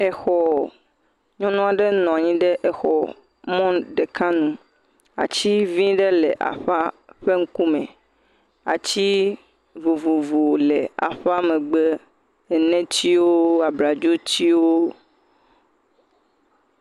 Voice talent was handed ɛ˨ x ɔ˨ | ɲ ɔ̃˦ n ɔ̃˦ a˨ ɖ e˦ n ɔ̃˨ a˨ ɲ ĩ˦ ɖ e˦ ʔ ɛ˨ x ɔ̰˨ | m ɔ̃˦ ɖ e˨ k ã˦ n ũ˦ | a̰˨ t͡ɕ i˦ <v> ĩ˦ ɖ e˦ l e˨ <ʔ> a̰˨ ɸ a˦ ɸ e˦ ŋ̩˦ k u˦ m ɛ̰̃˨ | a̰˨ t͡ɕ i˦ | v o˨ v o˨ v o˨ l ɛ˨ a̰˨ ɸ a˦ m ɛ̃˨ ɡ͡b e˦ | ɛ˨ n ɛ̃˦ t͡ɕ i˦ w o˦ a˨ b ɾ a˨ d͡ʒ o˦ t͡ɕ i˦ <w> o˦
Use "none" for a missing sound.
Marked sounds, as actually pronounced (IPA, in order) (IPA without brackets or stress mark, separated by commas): v, ʔ, w